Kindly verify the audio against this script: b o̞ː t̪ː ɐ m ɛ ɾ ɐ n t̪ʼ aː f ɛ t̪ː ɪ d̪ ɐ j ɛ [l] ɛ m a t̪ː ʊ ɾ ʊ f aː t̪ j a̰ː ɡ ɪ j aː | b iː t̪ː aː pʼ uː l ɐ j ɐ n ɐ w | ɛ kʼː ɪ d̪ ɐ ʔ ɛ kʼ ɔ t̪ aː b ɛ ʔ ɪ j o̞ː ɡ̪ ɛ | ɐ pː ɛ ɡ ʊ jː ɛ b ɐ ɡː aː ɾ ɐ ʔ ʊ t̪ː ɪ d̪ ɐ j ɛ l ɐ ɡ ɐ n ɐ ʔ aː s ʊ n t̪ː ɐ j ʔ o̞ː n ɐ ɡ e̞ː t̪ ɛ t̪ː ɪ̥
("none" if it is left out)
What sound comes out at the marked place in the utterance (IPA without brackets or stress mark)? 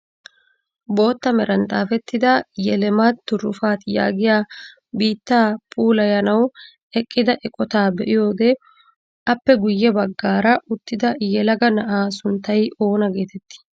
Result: l